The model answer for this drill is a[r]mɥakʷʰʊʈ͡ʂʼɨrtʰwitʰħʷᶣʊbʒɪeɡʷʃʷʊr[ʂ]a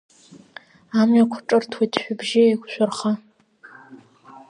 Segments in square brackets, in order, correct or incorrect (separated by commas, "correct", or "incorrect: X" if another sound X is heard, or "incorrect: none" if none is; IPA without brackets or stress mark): incorrect: none, incorrect: χ